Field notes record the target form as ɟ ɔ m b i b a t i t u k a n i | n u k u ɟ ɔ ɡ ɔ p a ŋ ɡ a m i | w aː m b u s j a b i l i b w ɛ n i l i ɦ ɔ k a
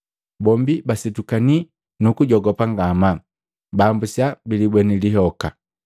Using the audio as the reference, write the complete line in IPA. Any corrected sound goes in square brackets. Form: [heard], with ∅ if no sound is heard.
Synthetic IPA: [b] ɔ m b i b a [s] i t u k a n i | n u k u ɟ ɔ ɡ ɔ p a ŋ ɡ a m [a] | [b] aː m b u s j a b i l i b w ɛ n i l i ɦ ɔ k a